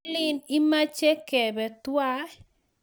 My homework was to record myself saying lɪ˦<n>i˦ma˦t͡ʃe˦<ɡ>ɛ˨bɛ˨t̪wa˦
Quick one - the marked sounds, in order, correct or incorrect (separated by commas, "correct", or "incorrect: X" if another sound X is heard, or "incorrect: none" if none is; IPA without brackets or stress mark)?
correct, incorrect: k